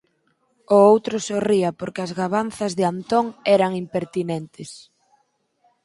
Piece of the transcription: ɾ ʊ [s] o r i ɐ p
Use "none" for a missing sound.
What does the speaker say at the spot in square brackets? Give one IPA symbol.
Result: s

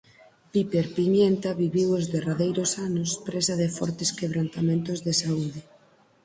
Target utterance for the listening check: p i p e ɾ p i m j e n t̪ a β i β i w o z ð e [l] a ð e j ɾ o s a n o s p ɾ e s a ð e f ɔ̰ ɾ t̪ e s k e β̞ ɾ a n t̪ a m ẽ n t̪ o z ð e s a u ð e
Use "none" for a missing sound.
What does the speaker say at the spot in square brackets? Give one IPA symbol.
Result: r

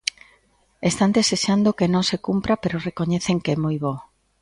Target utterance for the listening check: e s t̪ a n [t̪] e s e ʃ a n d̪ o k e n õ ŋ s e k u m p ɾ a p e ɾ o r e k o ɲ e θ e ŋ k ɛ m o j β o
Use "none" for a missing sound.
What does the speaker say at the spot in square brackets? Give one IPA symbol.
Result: d̪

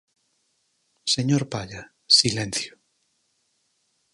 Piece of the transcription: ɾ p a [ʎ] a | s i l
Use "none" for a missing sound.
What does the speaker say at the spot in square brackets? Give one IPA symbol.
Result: ʎ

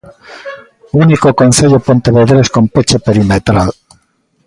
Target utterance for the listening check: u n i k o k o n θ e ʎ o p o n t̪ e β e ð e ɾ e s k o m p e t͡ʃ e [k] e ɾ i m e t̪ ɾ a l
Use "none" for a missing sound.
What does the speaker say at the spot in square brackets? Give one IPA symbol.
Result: p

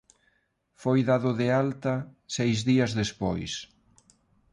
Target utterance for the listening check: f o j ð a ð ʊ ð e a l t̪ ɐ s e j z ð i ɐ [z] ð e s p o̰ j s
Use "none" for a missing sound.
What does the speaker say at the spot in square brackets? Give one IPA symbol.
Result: z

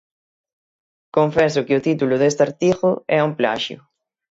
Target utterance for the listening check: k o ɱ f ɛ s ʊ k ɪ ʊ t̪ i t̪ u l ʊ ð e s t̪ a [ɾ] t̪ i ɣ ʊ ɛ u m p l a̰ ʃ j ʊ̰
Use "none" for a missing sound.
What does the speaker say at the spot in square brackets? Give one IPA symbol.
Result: ɾ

